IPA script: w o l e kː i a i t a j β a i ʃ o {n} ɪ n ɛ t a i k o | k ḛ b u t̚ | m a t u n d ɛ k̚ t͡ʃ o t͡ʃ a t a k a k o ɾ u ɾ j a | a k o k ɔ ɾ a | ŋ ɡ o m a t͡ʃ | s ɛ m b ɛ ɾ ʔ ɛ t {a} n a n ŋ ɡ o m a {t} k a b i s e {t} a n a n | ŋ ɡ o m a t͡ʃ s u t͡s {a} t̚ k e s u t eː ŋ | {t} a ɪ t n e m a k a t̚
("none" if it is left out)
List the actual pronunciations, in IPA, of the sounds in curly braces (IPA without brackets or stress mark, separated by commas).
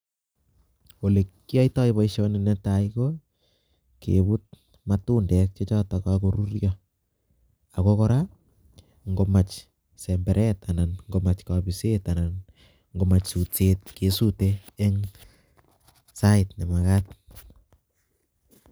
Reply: n, a, t͡ʃ, t, e, s